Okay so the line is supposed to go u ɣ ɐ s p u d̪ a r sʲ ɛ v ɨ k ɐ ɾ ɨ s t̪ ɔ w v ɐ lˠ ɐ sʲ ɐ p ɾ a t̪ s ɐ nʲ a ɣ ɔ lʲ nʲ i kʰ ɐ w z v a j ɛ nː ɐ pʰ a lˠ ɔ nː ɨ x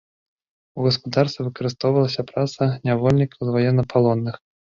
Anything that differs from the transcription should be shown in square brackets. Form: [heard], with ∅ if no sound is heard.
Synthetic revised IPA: u ɣ ɐ s p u d̪ a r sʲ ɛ v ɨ k ɐ ɾ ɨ s t̪ ɔ w v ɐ lˠ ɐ sʲ ɐ p ɾ a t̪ s ɐ nʲ a [v] ɔ lʲ nʲ i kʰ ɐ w z v a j ɛ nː ɐ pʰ a lˠ ɔ nː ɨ x

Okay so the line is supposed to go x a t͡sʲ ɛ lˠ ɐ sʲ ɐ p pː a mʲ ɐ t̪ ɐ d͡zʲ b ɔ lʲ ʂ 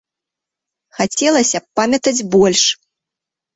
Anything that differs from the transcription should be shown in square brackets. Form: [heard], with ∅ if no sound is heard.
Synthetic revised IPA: x a t͡sʲ ɛ lˠ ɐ sʲ ɐ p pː a mʲ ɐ t̪ ɐ d͡zʲ b ɔ lʲ ʂ

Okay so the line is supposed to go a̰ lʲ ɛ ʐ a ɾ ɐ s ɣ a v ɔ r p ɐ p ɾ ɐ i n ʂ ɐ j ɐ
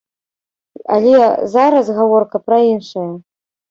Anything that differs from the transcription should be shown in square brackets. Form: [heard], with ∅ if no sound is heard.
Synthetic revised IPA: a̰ lʲ ɛ [z] a ɾ ɐ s ɣ a v ɔ r [k] ɐ p ɾ ɐ i n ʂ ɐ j ɐ

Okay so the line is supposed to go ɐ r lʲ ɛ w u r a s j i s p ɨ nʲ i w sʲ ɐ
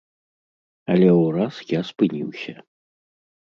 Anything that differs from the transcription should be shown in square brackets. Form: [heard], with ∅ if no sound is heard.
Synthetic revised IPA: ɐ [∅] lʲ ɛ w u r a s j [a] s p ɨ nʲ i w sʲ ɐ

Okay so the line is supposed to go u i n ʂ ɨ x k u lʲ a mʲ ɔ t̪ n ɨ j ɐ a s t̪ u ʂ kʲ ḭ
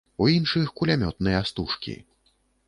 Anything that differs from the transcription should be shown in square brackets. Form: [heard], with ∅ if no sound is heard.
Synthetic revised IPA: u i n ʂ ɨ x k u lʲ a mʲ ɔ t̪ n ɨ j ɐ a s t̪ u ʂ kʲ ḭ

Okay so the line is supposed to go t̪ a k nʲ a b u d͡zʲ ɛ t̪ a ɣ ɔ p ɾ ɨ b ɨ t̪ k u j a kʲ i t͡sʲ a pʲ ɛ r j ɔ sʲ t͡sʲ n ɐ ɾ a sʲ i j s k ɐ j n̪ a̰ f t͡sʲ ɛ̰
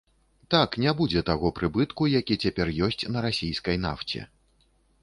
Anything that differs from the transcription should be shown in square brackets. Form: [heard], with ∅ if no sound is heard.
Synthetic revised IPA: t̪ a k nʲ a b u d͡zʲ ɛ t̪ a ɣ ɔ p ɾ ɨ b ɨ t̪ k u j a kʲ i t͡sʲ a pʲ ɛ r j ɔ sʲ t͡sʲ n ɐ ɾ a sʲ i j s k ɐ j n̪ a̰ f t͡sʲ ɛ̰

